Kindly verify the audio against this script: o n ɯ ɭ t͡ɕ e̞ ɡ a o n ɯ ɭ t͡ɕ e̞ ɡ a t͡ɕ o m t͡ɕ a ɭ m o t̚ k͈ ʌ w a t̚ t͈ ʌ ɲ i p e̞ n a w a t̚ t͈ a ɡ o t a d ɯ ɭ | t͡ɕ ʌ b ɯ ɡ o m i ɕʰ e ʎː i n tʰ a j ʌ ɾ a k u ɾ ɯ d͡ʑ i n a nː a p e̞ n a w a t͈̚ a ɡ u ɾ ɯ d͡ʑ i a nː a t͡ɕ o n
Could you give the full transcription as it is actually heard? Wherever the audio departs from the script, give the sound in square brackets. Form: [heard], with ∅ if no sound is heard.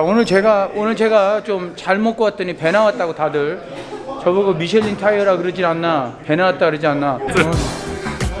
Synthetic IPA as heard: o n ɯ ɭ t͡ɕ e̞ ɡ a o n ɯ ɭ t͡ɕ e̞ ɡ a t͡ɕ o m t͡ɕ a ɭ m o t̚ k͈ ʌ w a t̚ t͈ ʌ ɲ i p e̞ n a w a t̚ t͈ a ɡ o t a d ɯ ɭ | t͡ɕ ʌ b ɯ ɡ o m i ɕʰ e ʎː i n tʰ a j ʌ ɾ a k [ɯ] ɾ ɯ d͡ʑ i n a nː a p e̞ n a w a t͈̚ a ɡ [ɯ] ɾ ɯ d͡ʑ i a nː a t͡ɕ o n